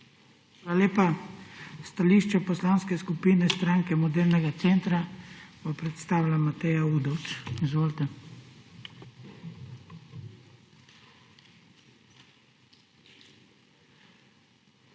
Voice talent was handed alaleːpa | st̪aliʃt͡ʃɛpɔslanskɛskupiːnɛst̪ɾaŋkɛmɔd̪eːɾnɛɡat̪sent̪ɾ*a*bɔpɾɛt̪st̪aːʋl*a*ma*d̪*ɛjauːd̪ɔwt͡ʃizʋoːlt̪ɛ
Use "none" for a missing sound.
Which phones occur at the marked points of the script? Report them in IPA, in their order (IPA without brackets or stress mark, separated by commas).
a, a, t̪